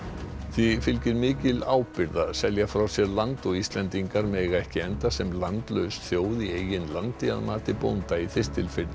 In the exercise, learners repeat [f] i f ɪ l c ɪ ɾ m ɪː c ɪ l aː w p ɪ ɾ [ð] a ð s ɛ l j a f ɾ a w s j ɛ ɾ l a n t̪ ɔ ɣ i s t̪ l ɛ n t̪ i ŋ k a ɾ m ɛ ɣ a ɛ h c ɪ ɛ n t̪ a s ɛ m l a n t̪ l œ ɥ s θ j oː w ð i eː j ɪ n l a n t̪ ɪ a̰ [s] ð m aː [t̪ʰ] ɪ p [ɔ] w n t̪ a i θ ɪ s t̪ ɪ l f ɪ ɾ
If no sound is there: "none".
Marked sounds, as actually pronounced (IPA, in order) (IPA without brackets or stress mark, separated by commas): θ, ð, none, t̪, o